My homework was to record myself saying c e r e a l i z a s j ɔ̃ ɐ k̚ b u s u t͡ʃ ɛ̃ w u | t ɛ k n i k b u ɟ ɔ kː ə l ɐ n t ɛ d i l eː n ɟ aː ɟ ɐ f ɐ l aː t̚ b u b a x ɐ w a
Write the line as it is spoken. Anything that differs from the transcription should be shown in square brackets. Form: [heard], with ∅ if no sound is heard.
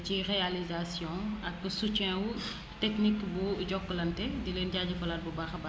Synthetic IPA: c [i] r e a l i z a s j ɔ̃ ɐ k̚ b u s u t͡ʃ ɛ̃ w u | t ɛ k n i k b u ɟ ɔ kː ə l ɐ n t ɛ d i l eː n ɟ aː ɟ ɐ f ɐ l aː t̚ b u b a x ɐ [b] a